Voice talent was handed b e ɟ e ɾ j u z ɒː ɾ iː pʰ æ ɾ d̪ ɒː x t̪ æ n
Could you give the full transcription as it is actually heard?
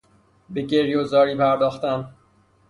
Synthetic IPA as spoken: b e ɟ e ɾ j o z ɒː ɾ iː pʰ æ ɾ d̪ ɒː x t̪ æ n